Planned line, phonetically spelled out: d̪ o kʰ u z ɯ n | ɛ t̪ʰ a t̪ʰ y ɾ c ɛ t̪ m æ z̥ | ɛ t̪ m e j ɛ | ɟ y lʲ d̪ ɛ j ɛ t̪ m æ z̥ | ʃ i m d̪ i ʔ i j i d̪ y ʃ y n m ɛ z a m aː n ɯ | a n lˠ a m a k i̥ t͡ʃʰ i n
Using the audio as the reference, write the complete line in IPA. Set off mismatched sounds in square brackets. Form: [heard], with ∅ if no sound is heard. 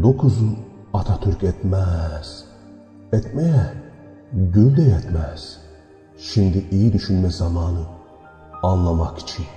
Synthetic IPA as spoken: d̪ o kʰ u z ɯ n | [a] t̪ʰ a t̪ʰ y ɾ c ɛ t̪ m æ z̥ | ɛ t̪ m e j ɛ | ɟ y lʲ d̪ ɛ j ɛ t̪ m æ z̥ | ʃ i m d̪ i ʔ i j i d̪ y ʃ y n m ɛ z a m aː n ɯ | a n lˠ a m a k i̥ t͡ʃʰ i n